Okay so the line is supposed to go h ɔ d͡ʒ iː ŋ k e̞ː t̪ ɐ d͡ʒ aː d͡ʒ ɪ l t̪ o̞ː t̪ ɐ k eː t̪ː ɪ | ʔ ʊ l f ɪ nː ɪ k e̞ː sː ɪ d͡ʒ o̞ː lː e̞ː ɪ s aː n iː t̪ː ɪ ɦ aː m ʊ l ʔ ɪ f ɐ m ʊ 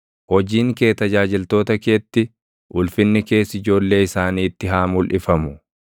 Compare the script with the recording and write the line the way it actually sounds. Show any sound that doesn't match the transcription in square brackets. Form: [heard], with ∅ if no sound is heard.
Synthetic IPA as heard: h ɔ d͡ʒ iː ŋ k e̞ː t̪ ɐ d͡ʒ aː d͡ʒ ɪ l t̪ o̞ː t̪ ɐ k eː t̪ː ɪ | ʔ ʊ l f ɪ nː ɪ k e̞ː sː ɪ d͡ʒ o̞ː lː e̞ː ɪ s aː n iː t̪ː ɪ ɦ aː m ʊ l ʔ ɪ f ɐ m ʊ